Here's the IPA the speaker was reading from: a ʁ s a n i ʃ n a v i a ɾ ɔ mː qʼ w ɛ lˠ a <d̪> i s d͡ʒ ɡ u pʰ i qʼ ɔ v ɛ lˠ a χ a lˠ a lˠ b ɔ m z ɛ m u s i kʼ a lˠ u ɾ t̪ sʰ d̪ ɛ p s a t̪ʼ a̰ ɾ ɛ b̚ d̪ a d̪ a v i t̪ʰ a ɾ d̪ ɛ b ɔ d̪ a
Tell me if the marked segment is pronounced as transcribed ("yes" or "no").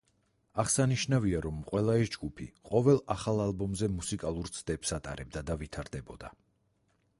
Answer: no